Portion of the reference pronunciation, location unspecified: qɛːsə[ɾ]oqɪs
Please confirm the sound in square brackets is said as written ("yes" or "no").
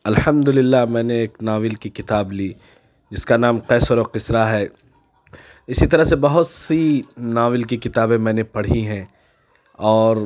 yes